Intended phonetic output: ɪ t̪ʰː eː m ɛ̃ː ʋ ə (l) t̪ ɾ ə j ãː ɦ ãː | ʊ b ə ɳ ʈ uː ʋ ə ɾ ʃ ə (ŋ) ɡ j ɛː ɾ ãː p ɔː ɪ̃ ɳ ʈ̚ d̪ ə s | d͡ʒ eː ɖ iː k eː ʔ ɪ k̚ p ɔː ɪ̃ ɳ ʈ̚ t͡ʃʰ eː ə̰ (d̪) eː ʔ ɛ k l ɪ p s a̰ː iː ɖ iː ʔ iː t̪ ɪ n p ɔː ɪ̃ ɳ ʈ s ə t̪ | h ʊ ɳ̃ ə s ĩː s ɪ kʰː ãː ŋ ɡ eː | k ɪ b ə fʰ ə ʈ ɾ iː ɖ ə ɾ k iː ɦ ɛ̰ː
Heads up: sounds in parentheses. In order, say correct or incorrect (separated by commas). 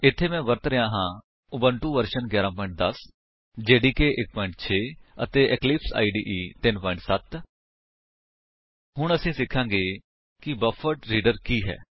incorrect, incorrect, incorrect